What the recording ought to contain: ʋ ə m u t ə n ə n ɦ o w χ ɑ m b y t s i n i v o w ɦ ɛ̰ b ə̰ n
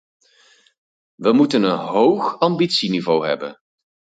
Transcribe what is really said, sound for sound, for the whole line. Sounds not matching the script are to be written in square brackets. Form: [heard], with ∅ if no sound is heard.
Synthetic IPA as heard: ʋ ə m u t ə n ə n ɦ o w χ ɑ m b [i] t s i n i v o w ɦ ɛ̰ b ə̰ n